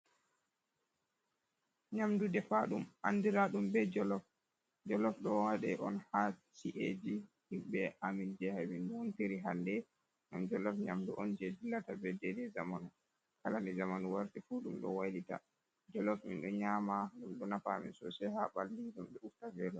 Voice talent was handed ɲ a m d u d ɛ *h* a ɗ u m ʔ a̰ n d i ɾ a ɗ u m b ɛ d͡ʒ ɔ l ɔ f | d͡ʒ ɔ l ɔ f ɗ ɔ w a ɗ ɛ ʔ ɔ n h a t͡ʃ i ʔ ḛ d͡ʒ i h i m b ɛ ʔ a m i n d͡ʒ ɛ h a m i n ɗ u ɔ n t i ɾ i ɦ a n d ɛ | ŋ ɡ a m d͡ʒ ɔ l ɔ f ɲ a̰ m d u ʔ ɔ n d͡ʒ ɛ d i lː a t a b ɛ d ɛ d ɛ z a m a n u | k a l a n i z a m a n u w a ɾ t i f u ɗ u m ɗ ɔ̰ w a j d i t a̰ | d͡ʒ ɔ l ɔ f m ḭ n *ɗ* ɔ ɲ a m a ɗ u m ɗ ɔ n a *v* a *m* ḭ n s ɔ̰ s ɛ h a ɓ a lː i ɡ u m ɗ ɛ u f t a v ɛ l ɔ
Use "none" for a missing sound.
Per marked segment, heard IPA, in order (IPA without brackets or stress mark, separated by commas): f, ɗ, f, m